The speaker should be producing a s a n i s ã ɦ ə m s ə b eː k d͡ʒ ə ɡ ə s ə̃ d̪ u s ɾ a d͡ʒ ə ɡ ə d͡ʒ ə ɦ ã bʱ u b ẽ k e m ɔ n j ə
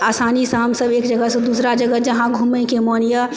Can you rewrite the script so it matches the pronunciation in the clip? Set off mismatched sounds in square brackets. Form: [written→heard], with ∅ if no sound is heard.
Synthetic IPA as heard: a s a n i s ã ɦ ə m s ə b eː k d͡ʒ ə ɡ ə s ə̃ d̪ u s ɾ a d͡ʒ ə ɡ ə d͡ʒ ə ɦ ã [bʱ→ɡʱ] u [b→m] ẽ k e m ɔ n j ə